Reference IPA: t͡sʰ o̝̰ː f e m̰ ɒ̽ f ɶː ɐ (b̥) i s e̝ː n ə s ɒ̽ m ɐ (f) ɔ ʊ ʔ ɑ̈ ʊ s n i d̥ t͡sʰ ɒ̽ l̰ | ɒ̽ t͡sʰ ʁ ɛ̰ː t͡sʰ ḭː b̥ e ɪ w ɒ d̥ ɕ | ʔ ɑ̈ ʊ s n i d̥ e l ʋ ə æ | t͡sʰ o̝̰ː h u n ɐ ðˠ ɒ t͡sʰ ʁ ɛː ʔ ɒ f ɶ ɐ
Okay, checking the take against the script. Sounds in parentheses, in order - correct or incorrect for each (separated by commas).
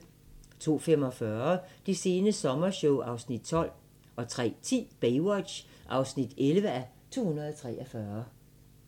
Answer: incorrect, incorrect